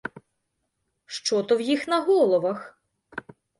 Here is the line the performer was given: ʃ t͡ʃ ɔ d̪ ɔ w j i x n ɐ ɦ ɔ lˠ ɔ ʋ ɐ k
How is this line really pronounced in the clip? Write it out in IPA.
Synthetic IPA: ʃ t͡ʃ ɔ t̪ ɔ w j i x n ɐ ɦ ɔ lˠ ɔ ʋ ɐ x

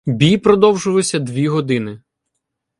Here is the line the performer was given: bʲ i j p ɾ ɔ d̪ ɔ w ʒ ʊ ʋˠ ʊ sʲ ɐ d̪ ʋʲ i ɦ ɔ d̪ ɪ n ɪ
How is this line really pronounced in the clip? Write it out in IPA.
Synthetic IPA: bʲ i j p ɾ ɔ d̪ ɔ w ʒ ʊ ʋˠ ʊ sʲ ɐ d̪ ʋʲ i ɦ ɔ d̪ ɪ n ɪ

